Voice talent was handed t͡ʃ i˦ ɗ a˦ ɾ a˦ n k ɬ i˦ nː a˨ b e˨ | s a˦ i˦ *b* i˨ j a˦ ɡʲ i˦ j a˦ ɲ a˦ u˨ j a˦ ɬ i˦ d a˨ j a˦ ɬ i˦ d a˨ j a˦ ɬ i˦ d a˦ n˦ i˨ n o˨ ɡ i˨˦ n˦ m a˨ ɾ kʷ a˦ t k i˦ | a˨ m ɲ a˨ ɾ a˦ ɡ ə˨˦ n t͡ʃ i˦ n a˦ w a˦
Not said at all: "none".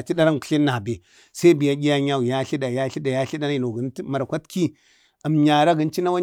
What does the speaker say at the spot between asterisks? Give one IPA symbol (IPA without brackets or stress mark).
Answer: b